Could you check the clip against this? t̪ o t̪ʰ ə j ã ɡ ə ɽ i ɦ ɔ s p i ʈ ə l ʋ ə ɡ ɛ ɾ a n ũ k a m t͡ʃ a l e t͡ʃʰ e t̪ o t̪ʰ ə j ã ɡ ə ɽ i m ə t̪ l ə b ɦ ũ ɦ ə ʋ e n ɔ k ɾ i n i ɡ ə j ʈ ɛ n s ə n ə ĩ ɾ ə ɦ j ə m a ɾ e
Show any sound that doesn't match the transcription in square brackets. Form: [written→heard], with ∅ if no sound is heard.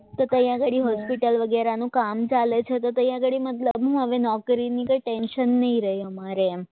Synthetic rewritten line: t̪ o [t̪ʰ→t̪] ə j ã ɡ ə ɽ i ɦ ɔ s p i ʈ ə l ʋ ə ɡ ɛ ɾ a n ũ k a m t͡ʃ a l e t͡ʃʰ e t̪ o [t̪ʰ→t̪] ə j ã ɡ ə ɽ i m ə t̪ l ə b ɦ ũ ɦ ə ʋ e n ɔ k ɾ i n i [ɡ→k] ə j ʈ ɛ n [s→ʃ] ə [n→nː] ə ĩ ɾ ə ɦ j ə m a ɾ e